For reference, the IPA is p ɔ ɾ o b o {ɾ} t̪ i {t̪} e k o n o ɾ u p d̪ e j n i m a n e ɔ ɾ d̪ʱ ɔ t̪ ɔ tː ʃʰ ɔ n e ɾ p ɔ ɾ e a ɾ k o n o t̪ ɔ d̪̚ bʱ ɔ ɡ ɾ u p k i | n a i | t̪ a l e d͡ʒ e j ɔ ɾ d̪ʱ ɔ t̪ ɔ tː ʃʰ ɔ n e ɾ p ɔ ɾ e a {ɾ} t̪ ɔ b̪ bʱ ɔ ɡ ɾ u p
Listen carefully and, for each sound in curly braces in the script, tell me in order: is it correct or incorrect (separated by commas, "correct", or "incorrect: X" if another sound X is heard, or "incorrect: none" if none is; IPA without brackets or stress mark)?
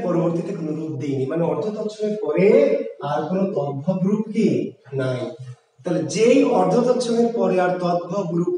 correct, correct, correct